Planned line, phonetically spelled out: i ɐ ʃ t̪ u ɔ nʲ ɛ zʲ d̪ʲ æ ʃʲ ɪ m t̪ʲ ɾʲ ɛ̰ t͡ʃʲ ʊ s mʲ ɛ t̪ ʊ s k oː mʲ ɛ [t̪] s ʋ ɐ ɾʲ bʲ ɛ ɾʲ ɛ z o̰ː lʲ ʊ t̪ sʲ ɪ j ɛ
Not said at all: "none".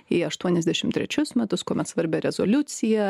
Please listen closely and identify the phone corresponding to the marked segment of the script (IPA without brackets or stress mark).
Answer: t̪